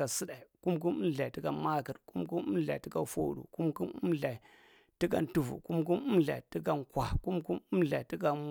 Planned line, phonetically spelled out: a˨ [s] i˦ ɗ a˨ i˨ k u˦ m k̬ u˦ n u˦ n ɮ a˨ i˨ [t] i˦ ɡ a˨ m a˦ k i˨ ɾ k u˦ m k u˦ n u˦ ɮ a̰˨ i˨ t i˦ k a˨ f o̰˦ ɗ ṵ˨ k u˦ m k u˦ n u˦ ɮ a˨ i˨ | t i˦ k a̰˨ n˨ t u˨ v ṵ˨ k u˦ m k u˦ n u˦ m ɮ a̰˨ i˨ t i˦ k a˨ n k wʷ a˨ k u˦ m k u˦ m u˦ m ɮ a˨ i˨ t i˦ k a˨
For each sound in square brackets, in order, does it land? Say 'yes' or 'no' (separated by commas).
yes, yes